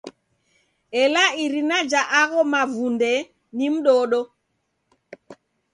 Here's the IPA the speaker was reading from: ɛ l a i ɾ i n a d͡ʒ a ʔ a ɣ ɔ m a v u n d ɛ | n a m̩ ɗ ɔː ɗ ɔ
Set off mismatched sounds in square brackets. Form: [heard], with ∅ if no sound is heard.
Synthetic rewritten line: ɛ l a i ɾ i n a d͡ʒ a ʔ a ɣ ɔ m a v u n d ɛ | n [i] m̩ ɗ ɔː ɗ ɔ